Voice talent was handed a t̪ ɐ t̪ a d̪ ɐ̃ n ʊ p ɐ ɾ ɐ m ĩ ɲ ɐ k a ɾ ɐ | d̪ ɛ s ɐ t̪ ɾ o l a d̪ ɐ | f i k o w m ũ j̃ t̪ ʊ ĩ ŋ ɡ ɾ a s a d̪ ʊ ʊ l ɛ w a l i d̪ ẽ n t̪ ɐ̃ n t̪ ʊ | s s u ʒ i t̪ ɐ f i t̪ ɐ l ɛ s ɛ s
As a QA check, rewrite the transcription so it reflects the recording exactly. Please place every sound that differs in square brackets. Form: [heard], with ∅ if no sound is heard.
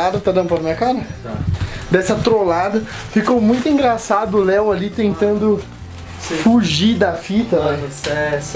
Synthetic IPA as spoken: a [d̪] ɐ t̪ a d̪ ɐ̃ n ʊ p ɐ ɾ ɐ m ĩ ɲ ɐ k a ɾ ɐ | d̪ ɛ s ɐ t̪ ɾ o l a d̪ ɐ | f i k o w m ũ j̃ t̪ ʊ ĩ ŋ ɡ ɾ a s a d̪ ʊ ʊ l ɛ w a l i [t̪] ẽ n t̪ ɐ̃ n [d̪] ʊ | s [f] u ʒ i [d̪] ɐ f i t̪ ɐ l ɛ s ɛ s